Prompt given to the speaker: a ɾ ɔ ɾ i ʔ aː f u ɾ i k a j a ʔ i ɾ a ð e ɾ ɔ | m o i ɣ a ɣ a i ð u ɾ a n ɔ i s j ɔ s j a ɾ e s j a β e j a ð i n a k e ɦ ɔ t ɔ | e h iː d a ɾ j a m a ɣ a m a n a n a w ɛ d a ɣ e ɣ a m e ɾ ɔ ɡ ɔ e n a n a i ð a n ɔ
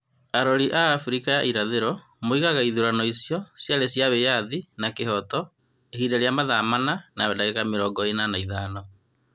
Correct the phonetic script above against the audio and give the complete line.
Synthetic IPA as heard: a ɾ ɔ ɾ i ʔ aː f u ɾ i k a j a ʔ i ɾ a ð e ɾ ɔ | m o i ɣ a ɣ a i ð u ɾ a n ɔ i s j ɔ s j a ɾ e s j a β e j a ð i n a k e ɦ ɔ t ɔ | e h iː d a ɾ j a m a ð a m a n a n a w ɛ d a ɣ e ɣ a m e ɾ ɔ ɡ ɔ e n a n a i ð a n ɔ